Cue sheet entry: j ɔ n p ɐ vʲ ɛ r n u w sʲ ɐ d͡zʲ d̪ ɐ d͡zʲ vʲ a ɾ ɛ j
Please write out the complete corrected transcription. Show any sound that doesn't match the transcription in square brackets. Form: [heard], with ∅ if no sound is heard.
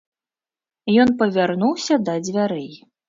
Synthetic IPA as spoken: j ɔ n p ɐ vʲ [a] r n u w sʲ ɐ [∅] d̪ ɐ d͡zʲ vʲ a ɾ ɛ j